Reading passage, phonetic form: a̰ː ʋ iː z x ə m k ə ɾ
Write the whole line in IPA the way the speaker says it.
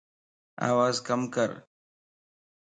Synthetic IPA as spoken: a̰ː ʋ aː z k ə m k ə ɾ